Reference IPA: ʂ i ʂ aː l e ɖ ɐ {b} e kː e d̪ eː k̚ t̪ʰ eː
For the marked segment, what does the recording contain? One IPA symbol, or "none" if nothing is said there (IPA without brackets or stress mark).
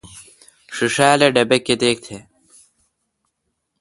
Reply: b